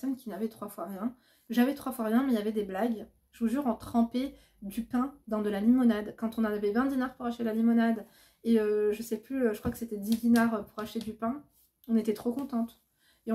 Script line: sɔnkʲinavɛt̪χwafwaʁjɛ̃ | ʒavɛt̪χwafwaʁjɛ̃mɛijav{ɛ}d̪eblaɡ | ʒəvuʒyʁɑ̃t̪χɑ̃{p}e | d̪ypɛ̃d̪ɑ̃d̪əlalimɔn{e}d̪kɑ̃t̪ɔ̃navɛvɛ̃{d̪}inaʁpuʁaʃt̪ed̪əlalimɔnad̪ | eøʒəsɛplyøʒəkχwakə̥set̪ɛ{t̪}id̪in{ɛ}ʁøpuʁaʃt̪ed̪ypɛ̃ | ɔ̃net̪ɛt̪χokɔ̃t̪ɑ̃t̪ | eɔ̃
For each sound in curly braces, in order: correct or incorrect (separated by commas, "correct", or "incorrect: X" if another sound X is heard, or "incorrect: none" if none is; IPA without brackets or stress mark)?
correct, correct, incorrect: a, correct, incorrect: d̪, incorrect: a